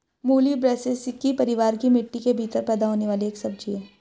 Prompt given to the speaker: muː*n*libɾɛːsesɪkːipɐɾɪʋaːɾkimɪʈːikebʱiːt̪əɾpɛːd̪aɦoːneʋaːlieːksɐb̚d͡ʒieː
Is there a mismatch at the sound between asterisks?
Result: yes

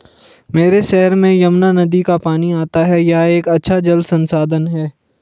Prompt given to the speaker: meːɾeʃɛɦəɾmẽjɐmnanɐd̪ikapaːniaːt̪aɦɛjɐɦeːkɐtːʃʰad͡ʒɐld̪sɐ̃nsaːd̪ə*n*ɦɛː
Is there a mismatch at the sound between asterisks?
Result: no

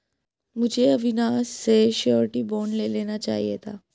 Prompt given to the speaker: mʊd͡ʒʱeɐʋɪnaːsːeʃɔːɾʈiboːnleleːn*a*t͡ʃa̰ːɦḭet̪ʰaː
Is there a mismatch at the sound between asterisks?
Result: no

